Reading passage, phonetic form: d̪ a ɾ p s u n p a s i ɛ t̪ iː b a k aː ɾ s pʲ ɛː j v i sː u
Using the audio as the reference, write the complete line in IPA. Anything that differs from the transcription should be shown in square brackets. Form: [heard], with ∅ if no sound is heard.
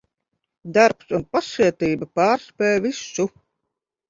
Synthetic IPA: d̪ a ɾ p s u n p a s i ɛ t̪ iː b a [p] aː ɾ s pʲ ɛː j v i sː u